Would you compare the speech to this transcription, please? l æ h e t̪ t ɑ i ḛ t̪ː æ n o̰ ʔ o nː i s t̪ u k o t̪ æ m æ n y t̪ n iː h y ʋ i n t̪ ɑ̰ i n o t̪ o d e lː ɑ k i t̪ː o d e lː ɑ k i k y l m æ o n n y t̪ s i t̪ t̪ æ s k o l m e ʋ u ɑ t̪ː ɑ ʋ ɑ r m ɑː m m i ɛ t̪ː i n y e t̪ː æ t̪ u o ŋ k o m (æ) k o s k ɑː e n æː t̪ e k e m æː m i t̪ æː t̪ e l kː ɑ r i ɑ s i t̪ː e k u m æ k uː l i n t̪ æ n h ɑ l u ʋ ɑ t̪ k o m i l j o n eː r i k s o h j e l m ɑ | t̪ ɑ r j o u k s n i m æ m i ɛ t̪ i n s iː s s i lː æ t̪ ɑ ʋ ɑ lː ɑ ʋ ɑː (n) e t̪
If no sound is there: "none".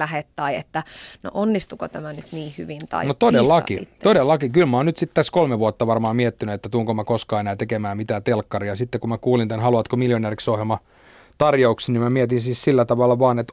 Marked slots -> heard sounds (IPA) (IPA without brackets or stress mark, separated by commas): æ, n